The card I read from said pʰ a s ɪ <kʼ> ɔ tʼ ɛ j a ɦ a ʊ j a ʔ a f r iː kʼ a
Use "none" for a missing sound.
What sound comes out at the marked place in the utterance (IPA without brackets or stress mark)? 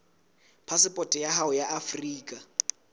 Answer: pʼ